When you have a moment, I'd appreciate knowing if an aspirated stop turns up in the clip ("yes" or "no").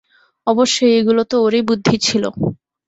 yes